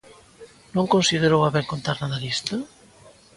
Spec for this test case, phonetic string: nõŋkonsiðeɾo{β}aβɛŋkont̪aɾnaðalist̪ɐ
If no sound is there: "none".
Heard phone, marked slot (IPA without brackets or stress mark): w